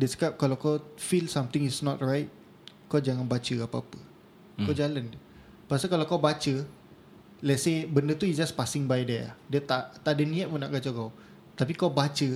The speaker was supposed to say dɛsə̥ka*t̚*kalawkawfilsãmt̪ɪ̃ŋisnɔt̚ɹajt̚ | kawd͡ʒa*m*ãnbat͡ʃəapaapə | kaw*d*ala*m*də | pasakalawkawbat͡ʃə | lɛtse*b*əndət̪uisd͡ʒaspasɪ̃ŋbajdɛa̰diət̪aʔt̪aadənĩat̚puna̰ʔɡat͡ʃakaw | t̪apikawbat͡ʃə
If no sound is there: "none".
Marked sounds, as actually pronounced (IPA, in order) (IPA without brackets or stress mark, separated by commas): p̚, ŋ, d͡ʒ, n, b